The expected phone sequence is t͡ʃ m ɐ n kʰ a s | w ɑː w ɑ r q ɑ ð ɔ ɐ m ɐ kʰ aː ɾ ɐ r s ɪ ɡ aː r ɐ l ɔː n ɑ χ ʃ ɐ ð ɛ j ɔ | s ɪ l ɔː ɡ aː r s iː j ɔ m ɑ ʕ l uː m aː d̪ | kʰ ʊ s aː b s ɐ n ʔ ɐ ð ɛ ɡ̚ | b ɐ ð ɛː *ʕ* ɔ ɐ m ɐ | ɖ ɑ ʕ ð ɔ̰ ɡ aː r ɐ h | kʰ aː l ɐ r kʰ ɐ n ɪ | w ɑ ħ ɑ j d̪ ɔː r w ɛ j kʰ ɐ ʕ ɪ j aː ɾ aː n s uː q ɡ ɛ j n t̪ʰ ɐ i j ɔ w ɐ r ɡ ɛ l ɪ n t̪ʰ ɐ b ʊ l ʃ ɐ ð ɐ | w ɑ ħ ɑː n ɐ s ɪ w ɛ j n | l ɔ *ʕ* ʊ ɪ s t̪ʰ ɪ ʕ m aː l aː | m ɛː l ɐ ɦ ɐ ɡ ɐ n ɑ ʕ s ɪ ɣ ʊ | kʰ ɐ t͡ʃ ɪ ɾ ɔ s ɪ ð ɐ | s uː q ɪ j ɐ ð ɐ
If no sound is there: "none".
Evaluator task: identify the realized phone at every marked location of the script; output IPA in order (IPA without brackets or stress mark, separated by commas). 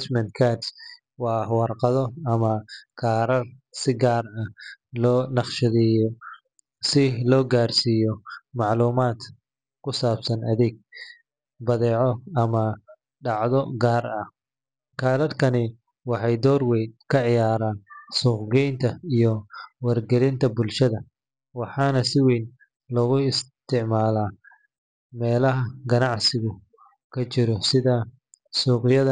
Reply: ʕ, ɣ